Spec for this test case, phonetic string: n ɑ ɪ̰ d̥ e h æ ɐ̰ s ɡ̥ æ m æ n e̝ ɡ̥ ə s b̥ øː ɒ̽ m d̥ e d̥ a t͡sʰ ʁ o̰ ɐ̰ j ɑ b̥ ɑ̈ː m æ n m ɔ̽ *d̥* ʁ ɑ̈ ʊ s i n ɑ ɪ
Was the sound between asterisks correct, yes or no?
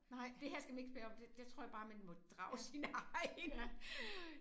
yes